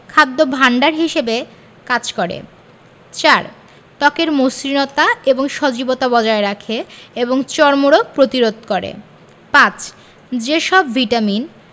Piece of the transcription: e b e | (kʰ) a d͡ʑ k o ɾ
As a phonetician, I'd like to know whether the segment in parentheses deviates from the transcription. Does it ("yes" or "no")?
yes